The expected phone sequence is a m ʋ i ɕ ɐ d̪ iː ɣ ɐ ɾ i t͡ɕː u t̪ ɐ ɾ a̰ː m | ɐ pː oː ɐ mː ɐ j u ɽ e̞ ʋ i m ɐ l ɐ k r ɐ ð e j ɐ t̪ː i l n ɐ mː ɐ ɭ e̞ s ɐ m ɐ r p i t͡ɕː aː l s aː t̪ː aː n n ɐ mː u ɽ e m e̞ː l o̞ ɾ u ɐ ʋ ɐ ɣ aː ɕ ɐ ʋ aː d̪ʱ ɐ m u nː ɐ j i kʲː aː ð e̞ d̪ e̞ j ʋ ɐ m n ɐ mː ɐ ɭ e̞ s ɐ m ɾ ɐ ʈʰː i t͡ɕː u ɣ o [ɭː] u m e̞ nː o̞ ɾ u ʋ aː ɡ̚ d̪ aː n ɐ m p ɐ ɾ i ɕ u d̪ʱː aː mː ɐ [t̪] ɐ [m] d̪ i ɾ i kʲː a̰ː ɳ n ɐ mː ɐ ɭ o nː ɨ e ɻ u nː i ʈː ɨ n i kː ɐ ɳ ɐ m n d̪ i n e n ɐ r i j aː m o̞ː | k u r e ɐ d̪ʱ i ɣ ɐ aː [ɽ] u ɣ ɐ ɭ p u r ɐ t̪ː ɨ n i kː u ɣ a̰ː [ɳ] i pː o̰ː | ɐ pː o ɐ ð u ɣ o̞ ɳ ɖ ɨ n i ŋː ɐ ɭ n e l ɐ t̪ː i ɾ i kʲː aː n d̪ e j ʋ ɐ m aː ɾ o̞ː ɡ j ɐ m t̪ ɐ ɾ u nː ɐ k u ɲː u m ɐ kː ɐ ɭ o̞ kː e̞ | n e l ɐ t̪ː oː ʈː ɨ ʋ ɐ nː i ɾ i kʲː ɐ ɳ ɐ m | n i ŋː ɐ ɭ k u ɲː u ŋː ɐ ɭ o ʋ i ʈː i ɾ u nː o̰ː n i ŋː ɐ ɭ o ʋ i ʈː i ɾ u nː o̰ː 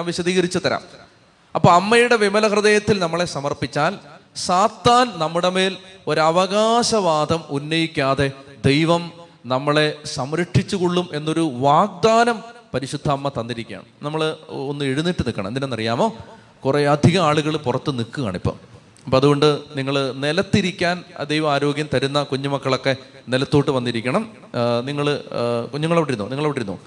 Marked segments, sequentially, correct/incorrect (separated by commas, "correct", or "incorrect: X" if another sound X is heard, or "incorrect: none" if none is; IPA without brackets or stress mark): correct, correct, incorrect: n, incorrect: ɭ, correct